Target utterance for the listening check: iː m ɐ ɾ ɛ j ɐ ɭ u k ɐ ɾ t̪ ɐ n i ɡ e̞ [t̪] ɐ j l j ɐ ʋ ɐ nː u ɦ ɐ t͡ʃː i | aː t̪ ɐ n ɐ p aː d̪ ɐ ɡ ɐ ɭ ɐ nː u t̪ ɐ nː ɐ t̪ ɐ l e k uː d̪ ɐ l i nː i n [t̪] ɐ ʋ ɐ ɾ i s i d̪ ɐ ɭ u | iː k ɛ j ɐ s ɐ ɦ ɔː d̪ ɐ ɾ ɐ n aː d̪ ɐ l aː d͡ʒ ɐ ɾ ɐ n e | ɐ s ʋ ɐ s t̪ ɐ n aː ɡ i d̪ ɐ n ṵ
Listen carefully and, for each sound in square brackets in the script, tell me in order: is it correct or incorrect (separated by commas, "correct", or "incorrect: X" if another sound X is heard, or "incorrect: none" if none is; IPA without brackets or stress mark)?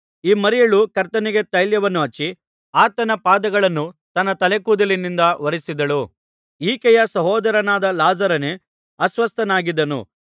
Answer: correct, incorrect: d̪